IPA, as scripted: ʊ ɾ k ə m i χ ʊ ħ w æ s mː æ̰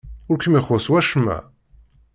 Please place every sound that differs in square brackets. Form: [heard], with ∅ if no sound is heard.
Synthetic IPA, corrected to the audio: ʊ ɾ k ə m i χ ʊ [s] w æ [ʃ] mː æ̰